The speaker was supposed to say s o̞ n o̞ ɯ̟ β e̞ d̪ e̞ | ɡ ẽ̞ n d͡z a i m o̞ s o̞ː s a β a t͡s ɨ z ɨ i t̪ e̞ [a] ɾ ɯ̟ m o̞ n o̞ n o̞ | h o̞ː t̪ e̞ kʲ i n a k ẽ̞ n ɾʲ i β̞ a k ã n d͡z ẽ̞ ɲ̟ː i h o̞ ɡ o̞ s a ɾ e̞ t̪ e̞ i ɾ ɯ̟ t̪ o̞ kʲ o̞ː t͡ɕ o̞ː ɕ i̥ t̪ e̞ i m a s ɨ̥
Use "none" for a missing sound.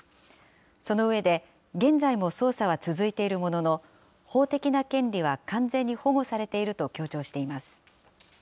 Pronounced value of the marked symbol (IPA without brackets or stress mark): i